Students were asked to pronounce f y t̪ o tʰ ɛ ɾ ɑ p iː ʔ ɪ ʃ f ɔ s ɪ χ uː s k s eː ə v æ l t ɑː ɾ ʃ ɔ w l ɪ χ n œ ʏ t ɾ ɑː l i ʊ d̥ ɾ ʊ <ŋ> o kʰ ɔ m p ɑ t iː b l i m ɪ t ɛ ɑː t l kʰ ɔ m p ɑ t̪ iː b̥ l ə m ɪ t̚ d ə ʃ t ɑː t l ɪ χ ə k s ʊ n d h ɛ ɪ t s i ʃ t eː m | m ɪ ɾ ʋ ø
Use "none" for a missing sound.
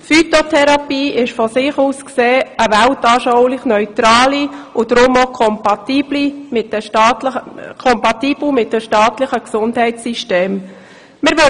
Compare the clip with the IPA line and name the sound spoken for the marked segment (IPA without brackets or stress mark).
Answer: m